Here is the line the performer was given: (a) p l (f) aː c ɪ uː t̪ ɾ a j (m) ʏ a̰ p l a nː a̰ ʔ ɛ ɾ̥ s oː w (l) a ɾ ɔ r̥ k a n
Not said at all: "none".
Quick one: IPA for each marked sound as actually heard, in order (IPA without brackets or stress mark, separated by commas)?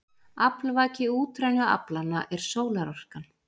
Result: a, v, n, l